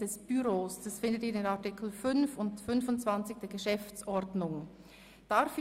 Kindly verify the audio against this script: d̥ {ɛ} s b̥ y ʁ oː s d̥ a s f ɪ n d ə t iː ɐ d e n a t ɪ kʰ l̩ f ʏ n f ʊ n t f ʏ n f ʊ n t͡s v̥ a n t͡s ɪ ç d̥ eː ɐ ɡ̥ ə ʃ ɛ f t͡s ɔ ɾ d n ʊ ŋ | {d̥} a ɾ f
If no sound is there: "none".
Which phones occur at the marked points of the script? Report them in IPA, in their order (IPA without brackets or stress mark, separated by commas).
ɛ, d̥